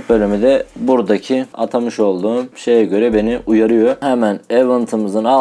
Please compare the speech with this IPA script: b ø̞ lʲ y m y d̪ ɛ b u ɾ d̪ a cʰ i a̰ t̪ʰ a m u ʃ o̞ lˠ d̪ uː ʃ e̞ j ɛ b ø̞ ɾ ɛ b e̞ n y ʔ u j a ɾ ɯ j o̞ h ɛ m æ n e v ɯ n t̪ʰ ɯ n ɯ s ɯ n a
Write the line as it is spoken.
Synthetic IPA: b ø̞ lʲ y m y d̪ ɛ b u ɾ d̪ a cʰ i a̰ t̪ʰ a m ɯ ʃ o̞ lˠ d̪ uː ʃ e̞ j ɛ ɟ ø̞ ɾ ɛ b e̞ n i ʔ u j a ɾ ɯ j o̞ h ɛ m æ n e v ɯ n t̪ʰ ɯ m ɯ z ɯ n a